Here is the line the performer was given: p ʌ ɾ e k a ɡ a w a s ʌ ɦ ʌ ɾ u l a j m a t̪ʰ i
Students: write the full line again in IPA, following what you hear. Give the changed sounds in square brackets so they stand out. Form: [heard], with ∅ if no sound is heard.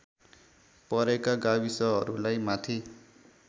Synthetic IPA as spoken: p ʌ ɾ e k a ɡ a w [i] s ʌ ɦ ʌ ɾ u l a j m a t̪ʰ i